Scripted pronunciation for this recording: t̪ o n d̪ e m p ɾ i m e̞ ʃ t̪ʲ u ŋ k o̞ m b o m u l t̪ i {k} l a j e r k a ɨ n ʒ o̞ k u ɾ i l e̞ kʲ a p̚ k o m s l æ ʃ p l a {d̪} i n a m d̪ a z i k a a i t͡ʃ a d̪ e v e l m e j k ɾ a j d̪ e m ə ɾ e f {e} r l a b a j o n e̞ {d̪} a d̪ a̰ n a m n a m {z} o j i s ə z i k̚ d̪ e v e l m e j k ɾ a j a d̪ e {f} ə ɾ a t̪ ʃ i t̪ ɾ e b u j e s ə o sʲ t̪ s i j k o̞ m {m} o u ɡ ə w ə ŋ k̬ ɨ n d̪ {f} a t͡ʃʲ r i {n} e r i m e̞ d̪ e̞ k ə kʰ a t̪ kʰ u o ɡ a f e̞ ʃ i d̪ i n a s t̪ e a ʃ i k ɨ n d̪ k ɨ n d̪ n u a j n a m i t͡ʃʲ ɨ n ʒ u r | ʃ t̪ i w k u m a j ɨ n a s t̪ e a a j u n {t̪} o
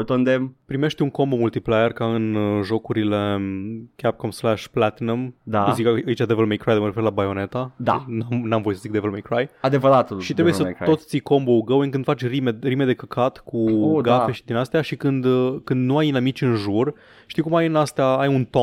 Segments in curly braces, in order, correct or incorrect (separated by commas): incorrect, incorrect, correct, incorrect, incorrect, incorrect, incorrect, correct, incorrect, correct